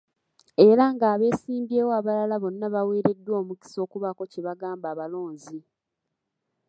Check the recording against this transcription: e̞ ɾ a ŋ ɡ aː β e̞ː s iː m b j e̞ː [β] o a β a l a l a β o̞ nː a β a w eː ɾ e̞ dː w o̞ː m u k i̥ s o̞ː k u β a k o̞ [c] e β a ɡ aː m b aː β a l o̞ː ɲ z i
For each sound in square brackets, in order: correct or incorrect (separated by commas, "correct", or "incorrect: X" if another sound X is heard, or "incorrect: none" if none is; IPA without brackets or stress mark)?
incorrect: w, correct